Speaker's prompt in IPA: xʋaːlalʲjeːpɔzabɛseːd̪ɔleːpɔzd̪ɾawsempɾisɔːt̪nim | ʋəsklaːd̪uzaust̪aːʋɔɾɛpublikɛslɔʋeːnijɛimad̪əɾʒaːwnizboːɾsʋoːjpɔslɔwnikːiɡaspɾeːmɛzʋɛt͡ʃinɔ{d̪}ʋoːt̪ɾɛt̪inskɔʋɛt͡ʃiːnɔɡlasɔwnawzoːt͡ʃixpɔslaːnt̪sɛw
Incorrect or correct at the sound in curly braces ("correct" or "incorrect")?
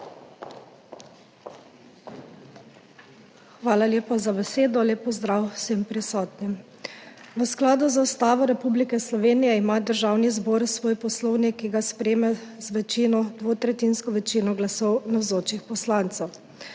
correct